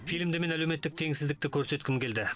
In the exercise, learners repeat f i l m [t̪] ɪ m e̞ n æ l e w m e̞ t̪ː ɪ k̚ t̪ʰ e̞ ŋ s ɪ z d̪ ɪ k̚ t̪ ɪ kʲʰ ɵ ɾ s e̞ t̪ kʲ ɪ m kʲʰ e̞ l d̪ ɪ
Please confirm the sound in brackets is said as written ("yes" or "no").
no